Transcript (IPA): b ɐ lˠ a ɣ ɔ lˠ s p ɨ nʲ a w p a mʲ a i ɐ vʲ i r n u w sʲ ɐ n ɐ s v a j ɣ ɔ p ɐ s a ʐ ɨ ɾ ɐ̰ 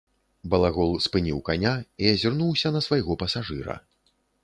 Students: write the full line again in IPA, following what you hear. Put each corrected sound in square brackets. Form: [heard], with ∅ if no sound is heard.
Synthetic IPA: b ɐ lˠ a ɣ ɔ lˠ s p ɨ nʲ [i] w [k] a [nʲ] a i ɐ [zʲ] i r n u w sʲ ɐ n ɐ s v a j ɣ ɔ p ɐ s a ʐ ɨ ɾ ɐ̰